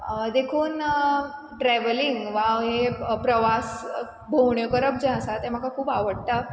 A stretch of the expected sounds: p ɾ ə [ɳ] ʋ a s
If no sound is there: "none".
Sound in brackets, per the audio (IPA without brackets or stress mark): none